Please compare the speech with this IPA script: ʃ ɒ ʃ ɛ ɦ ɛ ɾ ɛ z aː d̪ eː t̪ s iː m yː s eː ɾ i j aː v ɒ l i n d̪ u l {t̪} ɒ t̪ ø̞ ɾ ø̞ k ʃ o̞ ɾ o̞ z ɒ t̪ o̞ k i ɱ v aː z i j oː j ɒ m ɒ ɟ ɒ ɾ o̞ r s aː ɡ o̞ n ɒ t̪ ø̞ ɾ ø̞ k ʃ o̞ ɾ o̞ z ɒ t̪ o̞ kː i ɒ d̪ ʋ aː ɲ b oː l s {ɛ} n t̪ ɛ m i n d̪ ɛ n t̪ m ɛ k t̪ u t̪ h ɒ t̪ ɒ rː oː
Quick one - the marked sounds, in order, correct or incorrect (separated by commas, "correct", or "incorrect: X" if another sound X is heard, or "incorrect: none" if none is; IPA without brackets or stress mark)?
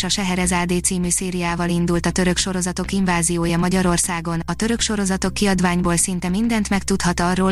correct, incorrect: i